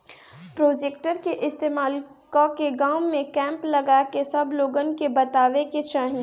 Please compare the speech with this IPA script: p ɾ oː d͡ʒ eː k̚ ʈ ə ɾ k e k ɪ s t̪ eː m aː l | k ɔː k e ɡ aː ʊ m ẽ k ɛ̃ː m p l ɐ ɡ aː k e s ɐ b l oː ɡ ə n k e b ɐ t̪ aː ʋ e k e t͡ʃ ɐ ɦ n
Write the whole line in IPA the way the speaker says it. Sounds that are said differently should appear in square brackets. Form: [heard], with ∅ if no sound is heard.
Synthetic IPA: p ɾ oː d͡ʒ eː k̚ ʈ ə ɾ k e [ʔ] ɪ s t̪ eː m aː l | k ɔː k e ɡ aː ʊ m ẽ k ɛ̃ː m p l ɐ ɡ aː k e s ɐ b l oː ɡ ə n k e b ɐ t̪ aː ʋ e k e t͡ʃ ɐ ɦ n